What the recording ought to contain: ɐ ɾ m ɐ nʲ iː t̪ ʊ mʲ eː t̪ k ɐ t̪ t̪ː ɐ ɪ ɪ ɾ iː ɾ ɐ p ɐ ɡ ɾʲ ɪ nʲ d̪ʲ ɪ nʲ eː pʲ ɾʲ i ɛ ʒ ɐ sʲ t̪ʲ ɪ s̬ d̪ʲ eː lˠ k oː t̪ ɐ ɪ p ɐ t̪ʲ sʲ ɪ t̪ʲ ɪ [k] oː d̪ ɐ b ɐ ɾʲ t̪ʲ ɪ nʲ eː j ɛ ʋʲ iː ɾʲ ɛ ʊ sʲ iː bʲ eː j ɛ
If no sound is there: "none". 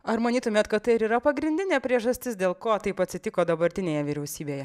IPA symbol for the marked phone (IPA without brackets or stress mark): k